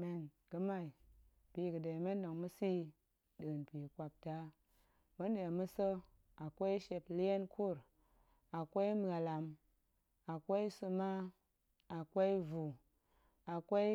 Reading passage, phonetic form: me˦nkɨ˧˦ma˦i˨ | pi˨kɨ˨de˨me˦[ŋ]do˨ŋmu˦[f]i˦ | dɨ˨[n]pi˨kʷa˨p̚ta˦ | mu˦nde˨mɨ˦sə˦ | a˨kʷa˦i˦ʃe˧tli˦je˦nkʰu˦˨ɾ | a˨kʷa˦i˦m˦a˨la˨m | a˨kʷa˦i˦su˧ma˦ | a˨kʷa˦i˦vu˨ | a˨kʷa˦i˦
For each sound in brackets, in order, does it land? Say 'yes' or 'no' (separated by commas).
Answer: no, no, yes